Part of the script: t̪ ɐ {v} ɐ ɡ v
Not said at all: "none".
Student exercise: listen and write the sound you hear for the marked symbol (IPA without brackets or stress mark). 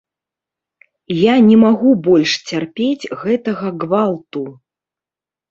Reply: ɣ